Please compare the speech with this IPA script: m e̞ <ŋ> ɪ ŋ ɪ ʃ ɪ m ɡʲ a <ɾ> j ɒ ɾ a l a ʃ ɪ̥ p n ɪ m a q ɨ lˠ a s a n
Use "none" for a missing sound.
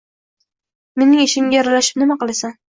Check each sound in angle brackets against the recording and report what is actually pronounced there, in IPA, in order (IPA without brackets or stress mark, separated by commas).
n, none